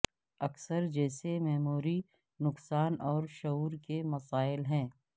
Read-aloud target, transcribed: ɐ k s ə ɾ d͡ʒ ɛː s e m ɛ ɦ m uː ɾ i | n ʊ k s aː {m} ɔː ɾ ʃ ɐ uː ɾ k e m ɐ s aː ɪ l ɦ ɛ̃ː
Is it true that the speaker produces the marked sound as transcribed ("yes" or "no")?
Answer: no